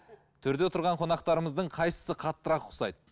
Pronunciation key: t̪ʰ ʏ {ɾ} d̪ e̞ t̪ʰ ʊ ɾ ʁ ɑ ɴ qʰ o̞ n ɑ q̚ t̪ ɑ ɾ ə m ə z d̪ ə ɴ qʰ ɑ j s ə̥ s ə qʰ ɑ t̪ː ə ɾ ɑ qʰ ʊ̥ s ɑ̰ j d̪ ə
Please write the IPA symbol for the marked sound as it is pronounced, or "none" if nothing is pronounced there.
ɾ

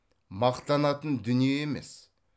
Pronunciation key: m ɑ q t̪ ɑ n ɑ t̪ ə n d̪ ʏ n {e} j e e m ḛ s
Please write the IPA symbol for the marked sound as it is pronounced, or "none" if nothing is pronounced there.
i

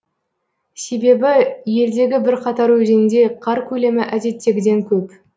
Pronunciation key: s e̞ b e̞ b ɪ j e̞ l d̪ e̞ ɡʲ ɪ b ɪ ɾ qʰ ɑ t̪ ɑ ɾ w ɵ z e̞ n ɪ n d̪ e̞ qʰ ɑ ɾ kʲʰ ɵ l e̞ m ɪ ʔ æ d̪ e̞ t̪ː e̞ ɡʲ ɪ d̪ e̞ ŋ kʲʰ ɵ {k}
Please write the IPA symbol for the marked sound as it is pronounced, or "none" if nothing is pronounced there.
p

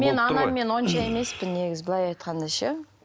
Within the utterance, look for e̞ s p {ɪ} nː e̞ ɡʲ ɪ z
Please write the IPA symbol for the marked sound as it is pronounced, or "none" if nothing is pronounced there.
ɪ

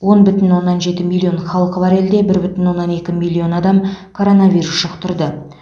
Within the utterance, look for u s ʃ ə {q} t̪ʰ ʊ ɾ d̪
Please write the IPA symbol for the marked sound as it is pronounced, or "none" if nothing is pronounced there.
q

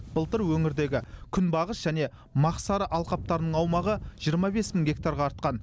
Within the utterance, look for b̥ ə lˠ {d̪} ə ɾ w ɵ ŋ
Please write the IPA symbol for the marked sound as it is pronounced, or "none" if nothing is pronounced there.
t̪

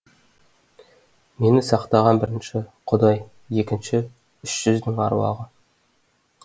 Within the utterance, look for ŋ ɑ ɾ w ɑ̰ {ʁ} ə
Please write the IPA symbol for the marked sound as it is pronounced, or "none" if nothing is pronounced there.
ʁ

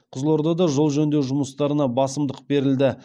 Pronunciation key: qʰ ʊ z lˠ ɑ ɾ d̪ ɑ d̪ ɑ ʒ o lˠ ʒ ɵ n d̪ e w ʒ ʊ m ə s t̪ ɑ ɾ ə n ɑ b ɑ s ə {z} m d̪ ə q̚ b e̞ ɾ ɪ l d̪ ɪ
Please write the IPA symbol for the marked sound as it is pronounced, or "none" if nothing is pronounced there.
none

